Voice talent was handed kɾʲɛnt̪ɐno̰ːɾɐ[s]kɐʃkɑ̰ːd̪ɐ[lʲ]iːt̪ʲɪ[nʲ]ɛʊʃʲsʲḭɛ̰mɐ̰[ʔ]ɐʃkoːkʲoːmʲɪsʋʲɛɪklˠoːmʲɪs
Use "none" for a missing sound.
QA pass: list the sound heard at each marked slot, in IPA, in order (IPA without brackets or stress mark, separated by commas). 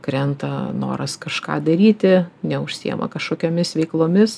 s, ɾʲ, nʲ, k